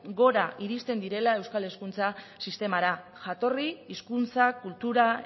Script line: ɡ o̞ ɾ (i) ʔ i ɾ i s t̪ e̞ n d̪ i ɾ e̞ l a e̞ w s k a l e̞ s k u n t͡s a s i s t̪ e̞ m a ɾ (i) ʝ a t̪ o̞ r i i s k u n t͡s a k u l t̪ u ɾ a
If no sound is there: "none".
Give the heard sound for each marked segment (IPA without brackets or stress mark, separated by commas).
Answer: a, a